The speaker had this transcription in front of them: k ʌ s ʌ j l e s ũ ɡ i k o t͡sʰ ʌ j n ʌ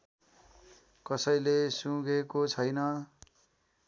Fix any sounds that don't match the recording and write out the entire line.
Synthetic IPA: k ʌ s ʌ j l e s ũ ɡ e k o t͡sʰ ʌ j n ʌ